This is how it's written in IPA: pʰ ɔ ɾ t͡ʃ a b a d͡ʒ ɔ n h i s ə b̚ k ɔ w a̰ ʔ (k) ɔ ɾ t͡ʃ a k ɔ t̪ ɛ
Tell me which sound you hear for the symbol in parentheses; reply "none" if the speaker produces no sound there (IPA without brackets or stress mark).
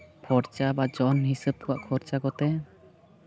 kʰ